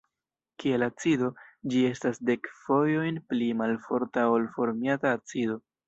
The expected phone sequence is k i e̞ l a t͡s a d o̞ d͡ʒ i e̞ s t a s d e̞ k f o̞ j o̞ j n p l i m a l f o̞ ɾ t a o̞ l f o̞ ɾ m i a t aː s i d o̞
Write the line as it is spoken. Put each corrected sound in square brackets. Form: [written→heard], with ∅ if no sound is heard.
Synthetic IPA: k i e̞ l a t͡s [a→i] d o̞ d͡ʒ i e̞ s t a s d e̞ k f o̞ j o̞ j n p l i m a l f o̞ ɾ t a o̞ l f o̞ ɾ m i a t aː [s→t͡s] i d o̞